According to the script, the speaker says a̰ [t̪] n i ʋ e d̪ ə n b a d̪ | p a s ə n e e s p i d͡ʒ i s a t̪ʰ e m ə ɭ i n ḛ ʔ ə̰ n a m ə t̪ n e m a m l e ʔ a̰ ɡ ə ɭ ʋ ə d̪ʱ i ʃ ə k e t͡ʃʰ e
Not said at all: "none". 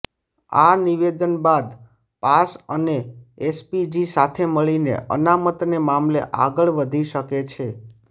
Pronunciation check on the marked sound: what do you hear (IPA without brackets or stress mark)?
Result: none